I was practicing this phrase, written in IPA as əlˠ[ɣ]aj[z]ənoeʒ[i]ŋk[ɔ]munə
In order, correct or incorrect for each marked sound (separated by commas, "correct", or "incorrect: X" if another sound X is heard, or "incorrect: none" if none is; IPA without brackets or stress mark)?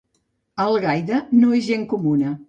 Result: correct, incorrect: ð, incorrect: e, incorrect: u